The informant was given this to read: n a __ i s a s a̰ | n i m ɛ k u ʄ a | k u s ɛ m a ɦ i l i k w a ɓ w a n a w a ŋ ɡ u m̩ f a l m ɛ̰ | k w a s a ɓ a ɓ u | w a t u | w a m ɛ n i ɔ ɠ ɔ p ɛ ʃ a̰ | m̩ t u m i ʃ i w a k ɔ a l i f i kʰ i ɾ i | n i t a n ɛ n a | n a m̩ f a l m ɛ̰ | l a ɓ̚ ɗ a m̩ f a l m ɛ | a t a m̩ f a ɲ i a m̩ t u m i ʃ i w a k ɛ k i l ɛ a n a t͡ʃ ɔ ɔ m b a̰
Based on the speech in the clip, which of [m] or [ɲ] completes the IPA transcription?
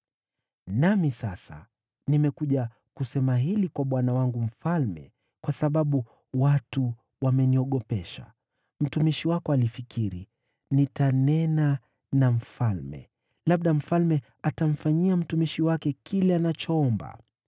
m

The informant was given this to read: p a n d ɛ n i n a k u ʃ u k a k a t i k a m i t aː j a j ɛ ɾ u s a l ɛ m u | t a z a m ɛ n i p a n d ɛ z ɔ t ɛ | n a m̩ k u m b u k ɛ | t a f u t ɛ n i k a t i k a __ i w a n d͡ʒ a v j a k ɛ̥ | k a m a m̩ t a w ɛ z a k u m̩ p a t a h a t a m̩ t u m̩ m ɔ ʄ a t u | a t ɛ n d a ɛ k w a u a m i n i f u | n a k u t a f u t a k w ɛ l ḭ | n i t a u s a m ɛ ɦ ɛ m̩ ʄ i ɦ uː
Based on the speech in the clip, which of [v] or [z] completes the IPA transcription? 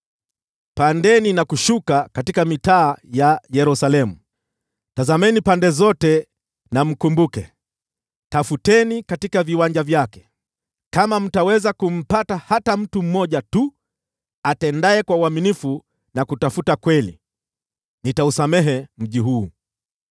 v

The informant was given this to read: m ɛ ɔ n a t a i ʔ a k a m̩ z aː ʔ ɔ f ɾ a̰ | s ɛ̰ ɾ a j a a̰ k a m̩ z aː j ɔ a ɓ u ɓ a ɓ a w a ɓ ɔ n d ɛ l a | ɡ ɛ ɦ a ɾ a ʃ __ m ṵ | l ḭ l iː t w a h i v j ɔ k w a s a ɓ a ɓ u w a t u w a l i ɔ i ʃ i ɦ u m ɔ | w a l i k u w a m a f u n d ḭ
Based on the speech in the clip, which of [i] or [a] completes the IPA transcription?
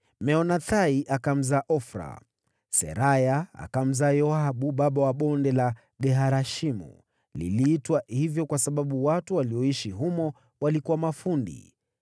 i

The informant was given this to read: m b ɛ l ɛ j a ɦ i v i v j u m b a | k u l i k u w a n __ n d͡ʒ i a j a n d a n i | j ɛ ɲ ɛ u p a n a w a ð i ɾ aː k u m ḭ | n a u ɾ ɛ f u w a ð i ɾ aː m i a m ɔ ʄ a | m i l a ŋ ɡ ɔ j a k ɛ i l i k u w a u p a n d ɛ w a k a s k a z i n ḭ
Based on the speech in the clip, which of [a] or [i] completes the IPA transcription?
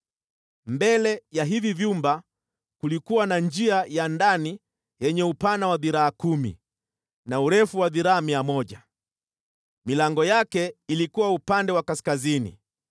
a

